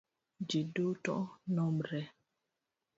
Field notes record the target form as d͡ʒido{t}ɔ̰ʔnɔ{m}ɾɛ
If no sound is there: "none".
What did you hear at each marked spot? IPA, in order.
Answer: t, m

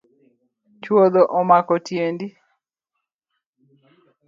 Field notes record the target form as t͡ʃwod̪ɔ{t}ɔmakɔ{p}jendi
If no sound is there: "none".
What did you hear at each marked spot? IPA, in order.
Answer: ʔ, t

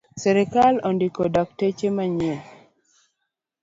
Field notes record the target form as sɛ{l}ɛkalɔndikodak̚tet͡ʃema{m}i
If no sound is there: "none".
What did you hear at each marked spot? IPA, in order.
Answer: ɾ, ɲ

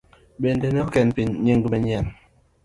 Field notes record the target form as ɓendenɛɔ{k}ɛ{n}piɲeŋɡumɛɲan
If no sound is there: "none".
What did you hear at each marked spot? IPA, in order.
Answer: k, n

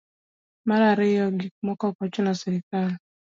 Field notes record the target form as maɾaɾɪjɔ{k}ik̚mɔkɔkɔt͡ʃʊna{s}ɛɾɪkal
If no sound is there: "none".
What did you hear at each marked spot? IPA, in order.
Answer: ɡ, s

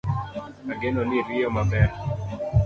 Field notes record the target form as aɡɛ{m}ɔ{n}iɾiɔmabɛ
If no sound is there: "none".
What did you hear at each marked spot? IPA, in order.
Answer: n, n

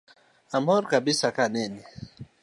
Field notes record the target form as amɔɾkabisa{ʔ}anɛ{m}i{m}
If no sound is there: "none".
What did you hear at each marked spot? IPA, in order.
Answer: k, n, none

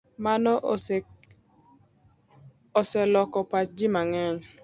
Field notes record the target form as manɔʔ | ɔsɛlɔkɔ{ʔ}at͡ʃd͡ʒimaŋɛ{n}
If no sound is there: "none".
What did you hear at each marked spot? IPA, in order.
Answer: p, ɲ

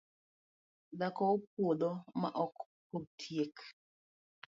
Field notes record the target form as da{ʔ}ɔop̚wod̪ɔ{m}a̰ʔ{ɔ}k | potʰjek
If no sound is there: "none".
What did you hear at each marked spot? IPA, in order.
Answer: k, m, ɔ

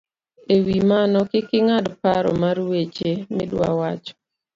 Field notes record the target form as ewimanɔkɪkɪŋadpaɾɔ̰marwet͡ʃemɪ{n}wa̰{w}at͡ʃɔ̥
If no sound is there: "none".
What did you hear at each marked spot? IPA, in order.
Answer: d, w

